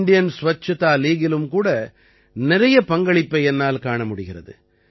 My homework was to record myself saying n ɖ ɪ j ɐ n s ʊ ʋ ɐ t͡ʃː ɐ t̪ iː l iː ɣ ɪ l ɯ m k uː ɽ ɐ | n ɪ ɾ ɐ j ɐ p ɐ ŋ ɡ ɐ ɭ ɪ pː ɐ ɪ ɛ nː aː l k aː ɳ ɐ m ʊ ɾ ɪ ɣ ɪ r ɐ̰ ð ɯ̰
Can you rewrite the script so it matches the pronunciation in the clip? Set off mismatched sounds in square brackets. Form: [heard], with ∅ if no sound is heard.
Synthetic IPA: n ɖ ɪ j ɐ n s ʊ ʋ ɐ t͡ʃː ɐ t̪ [aː] l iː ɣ ɪ l ɯ m k uː ɽ ɐ | n ɪ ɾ ɐ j ɐ p ɐ ŋ ɡ ɐ ɭ ɪ pː ɐ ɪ ɛ nː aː l k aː ɳ ɐ m ʊ [ɽ] ɪ ɣ ɪ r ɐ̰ ð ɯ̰